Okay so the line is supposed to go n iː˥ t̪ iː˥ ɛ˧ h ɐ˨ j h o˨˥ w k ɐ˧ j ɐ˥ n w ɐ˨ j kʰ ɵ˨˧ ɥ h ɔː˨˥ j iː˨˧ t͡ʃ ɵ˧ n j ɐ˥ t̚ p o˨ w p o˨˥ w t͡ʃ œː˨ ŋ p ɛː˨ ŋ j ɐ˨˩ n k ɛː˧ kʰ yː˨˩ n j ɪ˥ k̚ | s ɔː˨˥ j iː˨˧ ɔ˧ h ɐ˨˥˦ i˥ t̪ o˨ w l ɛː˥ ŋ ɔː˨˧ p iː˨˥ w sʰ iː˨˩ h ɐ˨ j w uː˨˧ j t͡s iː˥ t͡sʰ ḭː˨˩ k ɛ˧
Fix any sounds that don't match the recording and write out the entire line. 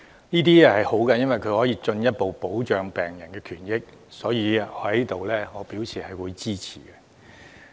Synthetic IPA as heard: n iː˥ t̪ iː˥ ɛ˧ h ɐ˨ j h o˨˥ w k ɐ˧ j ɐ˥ n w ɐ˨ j kʰ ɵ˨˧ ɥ h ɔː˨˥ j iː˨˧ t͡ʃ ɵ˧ n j ɐ˥ t̚ p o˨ w p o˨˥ w t͡ʃ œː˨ ŋ p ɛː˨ ŋ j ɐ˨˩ n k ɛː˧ kʰ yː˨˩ n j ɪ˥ k̚ | s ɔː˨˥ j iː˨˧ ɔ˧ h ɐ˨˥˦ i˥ t̪ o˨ w l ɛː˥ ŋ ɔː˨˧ p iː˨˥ w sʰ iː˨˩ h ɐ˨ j w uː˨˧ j t͡s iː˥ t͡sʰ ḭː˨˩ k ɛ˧